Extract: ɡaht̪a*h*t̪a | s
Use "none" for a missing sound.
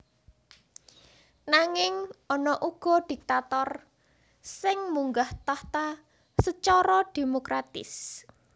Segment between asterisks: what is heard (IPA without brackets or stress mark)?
h